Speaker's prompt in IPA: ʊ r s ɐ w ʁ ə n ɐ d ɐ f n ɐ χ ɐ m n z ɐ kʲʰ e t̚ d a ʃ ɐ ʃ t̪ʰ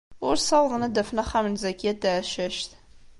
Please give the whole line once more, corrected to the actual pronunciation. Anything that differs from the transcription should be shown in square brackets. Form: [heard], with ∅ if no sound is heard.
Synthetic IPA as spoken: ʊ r s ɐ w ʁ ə n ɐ d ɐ f n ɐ χ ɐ m n z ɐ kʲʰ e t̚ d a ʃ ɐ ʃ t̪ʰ